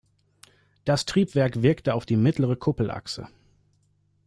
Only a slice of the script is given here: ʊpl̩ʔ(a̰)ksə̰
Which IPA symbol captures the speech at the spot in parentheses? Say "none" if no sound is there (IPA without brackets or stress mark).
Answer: a̰